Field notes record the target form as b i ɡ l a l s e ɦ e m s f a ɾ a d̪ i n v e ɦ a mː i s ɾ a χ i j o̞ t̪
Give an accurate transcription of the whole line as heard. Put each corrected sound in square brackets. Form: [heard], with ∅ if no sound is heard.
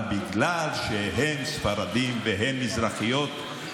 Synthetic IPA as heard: b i ɡ l a l [ʃ] e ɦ e m s f a ɾ a d̪ i [m] v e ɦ [e] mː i [z] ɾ a χ i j o̞ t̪

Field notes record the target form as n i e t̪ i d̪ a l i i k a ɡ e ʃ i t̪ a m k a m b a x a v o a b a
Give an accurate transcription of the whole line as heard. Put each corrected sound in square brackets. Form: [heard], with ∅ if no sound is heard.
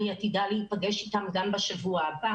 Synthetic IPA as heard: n i [a] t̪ i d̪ a l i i [p] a ɡ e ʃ i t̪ a m [ɡ] a m b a [ʃ] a v [u] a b a

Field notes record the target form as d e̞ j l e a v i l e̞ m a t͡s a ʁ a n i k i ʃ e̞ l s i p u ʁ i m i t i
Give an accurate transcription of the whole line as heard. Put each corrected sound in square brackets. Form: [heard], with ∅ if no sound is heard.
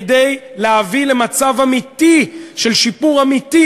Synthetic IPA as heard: d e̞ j l e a v i l e̞ m a t͡s a [v] a [m] i [t] i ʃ e̞ l [ʃ] i p u ʁ [a] m i t i

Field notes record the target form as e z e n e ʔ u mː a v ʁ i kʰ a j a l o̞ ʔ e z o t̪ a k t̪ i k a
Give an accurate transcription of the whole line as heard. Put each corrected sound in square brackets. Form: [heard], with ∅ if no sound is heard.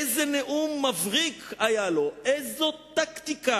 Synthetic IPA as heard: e z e n e ʔ u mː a v ʁ i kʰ a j a l o̞ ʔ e z o t̪ a k t̪ i k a

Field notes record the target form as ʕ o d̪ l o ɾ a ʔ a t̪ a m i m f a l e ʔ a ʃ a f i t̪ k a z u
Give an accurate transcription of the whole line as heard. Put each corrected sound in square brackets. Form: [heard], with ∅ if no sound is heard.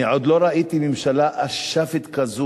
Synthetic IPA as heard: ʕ o d̪ l o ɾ a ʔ [i] t̪ [i] m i m [ʃ] a l [a] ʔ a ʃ a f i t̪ k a z u

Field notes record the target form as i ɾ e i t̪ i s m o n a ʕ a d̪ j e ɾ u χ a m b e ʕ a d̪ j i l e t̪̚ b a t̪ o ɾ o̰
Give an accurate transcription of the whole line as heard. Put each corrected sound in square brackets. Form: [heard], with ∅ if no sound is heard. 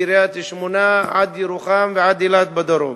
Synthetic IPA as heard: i ɾ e [a] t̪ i [ʃ] m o n a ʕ a d̪ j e ɾ u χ a m [v] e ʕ a d̪ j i l [a] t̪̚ b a [d̪] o ɾ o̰

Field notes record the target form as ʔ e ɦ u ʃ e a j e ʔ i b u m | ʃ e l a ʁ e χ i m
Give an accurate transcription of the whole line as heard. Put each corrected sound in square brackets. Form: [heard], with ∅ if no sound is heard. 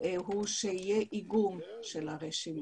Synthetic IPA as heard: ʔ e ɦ u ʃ e [i] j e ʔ i [ɡ] u m | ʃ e l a ʁ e [ʃ] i m

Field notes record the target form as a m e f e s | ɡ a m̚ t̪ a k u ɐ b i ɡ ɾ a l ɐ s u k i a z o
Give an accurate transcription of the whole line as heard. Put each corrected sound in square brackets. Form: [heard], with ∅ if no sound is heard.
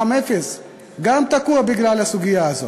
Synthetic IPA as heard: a m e f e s | ɡ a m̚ t̪ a k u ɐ b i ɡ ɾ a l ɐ s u [ɡ] i a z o

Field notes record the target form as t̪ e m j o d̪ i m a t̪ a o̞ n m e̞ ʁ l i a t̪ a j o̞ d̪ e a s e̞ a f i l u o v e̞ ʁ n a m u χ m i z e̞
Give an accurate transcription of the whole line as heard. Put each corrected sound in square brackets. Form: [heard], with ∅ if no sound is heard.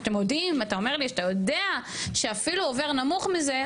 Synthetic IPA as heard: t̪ e m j o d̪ i m a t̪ a o̞ [∅] m e̞ ʁ l i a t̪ a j o̞ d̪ e a [ʃ] e̞ a f i l u o v e̞ ʁ n a m u χ m i z e̞

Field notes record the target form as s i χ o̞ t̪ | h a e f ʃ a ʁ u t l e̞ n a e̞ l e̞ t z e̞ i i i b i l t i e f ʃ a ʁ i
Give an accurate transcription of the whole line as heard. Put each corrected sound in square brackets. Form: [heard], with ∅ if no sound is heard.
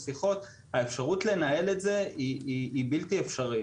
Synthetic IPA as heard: s i χ o̞ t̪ | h a e f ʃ a ʁ u t l e̞ n a e̞ l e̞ t z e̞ i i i b i l t i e f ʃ a ʁ i

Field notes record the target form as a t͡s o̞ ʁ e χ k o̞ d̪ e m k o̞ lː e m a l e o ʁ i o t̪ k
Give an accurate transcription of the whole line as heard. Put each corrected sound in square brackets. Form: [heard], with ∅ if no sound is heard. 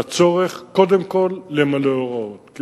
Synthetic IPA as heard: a t͡s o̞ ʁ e χ k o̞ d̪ e m k o̞ lː e m a l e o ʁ [a] o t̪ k

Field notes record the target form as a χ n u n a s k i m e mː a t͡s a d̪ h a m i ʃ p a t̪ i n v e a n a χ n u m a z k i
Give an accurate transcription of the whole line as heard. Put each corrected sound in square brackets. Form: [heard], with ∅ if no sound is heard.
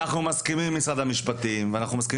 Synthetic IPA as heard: a χ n u [m] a s k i m [i] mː [i] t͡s a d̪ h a m i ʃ p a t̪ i [m] v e a n a χ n u m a [s] k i

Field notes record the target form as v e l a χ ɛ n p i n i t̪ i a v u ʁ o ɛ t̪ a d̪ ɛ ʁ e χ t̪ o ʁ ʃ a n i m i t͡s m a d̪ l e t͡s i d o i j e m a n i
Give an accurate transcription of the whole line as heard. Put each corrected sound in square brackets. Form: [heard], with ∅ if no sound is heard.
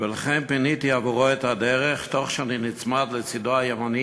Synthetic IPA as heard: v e l a χ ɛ n p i n i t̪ i a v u ʁ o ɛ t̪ a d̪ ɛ ʁ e χ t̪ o [χ] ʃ a n i [n] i t͡s m a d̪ l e t͡s i d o [a] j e m a n i

